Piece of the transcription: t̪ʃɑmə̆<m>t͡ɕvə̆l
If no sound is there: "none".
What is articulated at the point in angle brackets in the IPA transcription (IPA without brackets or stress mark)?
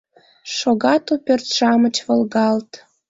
none